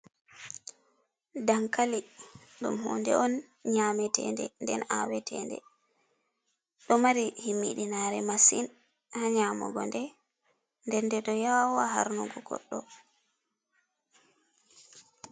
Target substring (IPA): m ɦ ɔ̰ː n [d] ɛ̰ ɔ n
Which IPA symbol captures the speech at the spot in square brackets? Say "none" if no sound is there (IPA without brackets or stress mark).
d